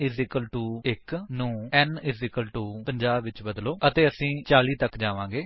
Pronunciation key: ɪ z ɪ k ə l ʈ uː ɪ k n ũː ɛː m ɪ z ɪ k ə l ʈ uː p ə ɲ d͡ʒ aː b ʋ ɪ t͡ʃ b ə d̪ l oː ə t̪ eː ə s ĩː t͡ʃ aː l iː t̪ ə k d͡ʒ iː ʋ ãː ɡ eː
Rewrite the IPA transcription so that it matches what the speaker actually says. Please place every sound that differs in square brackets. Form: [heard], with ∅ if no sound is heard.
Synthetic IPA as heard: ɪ z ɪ k ə l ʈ uː ɪ k n ũː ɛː [n] ɪ z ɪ k ə l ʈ uː p ə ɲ d͡ʒ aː b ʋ ɪ t͡ʃ b ə d̪ l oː ə t̪ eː ə s ĩː t͡ʃ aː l iː t̪ ə k d͡ʒ [aː] ʋ ãː ɡ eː